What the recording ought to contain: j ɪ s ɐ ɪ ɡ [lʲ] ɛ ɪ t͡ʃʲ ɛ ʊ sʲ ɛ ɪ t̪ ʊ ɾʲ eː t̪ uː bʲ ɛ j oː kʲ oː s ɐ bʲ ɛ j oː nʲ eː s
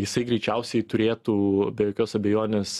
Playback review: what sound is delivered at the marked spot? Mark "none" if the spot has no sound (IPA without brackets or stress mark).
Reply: ɾʲ